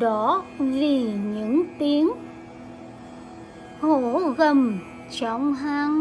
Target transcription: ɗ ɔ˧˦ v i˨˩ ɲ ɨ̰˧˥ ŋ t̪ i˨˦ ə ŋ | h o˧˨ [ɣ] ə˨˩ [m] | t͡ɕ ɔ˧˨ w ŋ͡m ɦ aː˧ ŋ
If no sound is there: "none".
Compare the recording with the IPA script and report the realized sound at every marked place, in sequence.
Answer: ɣ, m

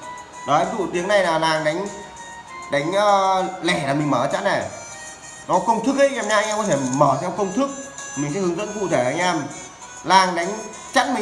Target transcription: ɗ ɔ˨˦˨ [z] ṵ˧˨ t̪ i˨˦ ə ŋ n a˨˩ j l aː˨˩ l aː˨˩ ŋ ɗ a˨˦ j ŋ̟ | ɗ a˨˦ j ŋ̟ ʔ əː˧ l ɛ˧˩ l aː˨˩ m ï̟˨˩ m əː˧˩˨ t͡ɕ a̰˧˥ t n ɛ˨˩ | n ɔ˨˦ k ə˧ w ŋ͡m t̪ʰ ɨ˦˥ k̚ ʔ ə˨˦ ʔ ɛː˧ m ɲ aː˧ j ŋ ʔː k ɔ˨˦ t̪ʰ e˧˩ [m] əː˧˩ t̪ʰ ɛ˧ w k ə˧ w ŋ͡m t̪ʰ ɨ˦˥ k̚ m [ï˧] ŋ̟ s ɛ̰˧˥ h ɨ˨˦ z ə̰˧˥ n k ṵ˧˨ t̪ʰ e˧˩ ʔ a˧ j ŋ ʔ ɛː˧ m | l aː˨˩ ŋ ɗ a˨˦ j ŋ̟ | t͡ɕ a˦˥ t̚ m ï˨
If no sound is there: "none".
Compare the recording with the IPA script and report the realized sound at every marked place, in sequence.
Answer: z, m, ï˨˩

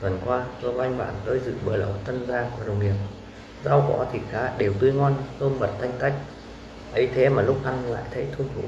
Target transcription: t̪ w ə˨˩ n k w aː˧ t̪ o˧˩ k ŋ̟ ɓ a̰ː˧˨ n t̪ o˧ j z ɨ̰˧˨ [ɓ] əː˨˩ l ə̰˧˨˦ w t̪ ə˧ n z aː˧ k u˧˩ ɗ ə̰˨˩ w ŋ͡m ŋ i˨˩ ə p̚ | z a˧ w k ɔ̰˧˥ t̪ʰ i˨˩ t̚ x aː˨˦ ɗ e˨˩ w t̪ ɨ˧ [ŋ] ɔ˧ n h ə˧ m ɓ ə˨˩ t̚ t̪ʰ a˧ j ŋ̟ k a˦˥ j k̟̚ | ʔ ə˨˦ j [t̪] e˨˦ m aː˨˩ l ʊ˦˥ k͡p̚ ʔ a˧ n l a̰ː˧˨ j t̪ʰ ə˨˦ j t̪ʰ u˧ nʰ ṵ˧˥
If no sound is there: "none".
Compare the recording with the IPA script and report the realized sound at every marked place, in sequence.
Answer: ɓ, ŋ, t̪ʰ

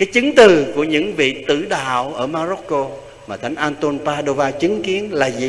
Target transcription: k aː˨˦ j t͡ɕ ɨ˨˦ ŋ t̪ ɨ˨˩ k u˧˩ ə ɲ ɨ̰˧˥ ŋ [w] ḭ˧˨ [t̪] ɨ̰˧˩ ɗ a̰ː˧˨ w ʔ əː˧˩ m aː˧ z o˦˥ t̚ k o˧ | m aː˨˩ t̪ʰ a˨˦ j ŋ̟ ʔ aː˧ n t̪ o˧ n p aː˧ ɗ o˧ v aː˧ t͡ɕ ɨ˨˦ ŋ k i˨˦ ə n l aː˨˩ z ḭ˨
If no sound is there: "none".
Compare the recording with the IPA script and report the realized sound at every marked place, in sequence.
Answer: v, t̪

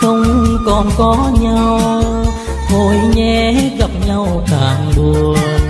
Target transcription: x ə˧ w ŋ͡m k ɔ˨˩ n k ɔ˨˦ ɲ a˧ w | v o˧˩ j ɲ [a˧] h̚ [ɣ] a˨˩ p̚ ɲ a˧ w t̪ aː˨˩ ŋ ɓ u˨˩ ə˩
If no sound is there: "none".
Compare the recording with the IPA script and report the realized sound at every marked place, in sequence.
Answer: ɛ˧, ɣ

